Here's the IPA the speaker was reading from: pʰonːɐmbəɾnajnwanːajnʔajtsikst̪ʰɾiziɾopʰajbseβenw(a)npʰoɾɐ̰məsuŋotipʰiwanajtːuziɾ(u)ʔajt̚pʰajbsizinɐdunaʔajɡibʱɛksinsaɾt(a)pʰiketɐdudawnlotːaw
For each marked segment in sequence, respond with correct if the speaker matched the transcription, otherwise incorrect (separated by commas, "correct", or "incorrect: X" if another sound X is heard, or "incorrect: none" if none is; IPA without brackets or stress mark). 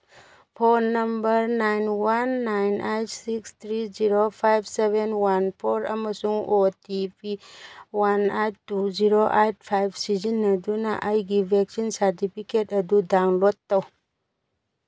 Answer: correct, incorrect: o, incorrect: i